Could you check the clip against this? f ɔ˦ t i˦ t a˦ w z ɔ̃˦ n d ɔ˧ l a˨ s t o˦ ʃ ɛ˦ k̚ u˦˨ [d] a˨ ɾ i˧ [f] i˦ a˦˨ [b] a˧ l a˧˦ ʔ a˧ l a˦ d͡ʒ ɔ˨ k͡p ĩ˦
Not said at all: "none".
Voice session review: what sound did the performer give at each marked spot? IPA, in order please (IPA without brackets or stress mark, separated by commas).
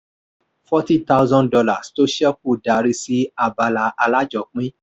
d, s, b